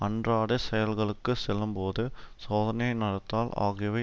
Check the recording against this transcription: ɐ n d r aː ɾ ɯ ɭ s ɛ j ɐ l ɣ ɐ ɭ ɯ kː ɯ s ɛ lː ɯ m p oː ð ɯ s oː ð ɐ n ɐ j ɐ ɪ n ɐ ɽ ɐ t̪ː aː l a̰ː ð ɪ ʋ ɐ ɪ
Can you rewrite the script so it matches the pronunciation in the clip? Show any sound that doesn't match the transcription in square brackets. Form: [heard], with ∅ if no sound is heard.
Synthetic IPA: ɐ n d r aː [ɽ] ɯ [∅] s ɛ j ɐ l ɣ ɐ ɭ ɯ kː ɯ s ɛ lː ɯ m p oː ð ɯ s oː ð ɐ n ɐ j ɐ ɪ n ɐ ɽ ɐ t̪ː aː l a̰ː [ɣ] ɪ ʋ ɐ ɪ